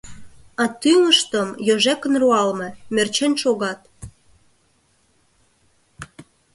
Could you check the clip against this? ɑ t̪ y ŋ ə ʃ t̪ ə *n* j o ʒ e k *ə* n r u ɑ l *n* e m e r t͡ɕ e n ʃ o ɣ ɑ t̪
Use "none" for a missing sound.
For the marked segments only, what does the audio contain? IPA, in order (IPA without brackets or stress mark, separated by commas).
m, ə, m